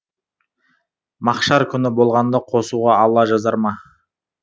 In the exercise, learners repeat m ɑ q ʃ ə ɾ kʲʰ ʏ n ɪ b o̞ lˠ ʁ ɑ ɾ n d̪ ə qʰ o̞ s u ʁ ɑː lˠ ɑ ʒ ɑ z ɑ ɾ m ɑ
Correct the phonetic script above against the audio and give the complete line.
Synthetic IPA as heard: m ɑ q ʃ ɑ ɾ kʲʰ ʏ n ɪ b o̞ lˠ ʁ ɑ n d̪ ɑ qʰ o̞ s u ʁ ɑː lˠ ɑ ʒ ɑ z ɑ ɾ m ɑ